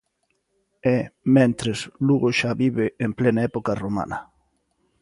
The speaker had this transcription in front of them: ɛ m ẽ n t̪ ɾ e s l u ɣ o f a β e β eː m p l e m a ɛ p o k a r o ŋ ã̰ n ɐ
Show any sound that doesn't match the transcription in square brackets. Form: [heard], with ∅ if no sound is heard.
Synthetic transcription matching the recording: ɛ m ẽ n t̪ ɾ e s l u ɣ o [ʃ] a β [i] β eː m p l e [n] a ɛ p o k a r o [m] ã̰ n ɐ